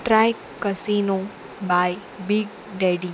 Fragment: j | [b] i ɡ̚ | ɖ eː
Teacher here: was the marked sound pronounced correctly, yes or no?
yes